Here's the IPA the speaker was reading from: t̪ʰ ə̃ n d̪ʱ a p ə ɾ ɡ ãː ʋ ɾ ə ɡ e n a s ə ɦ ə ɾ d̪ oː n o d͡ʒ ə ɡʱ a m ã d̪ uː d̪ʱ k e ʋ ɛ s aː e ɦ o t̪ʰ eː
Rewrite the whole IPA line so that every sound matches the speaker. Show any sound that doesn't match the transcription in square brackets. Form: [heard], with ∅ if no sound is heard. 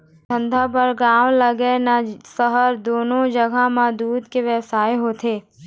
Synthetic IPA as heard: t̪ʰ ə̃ n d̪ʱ a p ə ɾ ɡ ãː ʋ [l] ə ɡ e n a s ə ɦ ə ɾ d̪ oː n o d͡ʒ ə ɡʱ a m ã d̪ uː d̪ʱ k e ʋ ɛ s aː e ɦ o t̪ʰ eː